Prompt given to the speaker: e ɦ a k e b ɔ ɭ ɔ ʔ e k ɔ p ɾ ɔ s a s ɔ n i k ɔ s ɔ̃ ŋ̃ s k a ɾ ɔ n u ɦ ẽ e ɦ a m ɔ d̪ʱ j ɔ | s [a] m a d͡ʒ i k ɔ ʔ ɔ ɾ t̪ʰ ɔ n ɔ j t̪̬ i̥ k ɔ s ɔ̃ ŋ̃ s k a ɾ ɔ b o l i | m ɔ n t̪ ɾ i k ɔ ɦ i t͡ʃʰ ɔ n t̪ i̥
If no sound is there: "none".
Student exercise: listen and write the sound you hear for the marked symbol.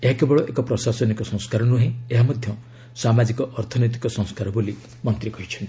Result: a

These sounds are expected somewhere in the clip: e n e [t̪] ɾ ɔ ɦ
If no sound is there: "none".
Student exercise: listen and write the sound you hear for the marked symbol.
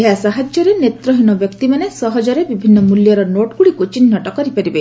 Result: t̪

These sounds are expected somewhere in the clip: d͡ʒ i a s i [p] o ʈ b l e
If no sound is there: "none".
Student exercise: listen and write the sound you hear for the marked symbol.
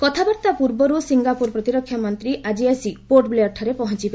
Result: p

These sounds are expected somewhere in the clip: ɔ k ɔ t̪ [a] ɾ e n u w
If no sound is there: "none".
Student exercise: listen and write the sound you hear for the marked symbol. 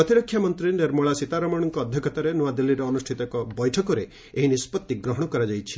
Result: a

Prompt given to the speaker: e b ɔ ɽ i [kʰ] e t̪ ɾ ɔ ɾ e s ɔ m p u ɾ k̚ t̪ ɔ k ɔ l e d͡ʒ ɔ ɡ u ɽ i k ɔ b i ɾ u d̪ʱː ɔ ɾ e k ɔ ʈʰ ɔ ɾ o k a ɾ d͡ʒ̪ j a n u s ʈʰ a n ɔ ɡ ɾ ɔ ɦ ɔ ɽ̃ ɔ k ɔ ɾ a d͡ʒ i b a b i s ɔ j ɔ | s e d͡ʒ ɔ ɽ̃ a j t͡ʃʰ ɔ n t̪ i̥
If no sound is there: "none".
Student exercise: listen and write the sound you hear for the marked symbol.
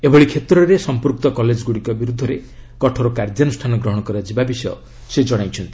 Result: kʰ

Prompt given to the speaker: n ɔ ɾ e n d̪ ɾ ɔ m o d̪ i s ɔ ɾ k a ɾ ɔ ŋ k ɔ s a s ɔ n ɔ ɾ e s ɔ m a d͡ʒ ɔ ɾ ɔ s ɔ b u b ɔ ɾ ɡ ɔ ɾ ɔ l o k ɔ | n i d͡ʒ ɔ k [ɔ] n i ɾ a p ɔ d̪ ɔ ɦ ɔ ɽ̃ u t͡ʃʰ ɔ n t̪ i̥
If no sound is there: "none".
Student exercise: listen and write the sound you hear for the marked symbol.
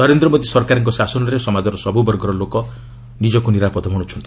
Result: u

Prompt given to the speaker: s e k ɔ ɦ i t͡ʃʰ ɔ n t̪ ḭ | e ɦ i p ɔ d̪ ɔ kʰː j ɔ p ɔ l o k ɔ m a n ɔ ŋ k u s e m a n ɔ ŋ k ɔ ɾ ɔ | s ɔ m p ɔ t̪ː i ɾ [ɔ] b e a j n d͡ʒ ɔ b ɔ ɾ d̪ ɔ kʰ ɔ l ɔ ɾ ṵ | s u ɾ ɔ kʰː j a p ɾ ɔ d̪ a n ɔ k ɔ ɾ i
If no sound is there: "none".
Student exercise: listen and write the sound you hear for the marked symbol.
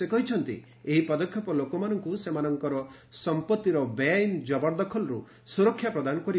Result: ɔ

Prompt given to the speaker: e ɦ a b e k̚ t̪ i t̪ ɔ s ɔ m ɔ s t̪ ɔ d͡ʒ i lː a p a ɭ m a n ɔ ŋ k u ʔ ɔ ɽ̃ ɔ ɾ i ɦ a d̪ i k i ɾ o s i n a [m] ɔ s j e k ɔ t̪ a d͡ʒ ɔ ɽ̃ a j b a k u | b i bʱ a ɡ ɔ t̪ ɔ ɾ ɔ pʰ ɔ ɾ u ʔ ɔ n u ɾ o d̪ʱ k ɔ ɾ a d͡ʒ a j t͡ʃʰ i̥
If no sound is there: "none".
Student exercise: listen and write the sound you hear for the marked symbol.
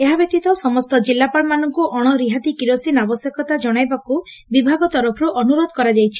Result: b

